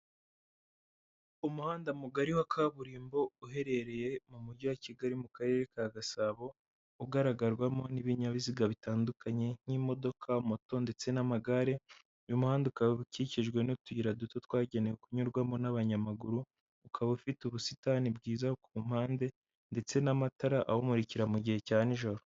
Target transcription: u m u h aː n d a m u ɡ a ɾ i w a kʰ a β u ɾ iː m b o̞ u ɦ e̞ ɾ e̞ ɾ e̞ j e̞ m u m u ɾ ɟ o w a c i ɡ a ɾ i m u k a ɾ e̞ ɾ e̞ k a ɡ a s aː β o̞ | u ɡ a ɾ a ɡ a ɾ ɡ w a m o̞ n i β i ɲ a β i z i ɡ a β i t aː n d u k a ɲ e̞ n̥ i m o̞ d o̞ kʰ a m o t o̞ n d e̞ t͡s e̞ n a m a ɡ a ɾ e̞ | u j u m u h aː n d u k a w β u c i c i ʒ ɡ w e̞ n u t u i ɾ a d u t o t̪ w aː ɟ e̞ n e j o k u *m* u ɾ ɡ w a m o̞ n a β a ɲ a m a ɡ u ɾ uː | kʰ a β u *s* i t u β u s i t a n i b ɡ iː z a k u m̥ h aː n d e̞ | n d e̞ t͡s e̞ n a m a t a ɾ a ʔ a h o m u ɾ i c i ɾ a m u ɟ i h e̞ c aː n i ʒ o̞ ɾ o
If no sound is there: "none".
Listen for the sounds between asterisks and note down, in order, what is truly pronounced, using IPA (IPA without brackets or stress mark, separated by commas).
ɲ, f